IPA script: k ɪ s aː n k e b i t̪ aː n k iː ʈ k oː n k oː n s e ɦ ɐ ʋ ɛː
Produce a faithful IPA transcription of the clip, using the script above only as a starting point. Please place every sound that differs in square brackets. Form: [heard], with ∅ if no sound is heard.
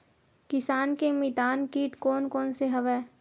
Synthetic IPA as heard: k ɪ s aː n k e [m] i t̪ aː n k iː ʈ k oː n k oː n s e ɦ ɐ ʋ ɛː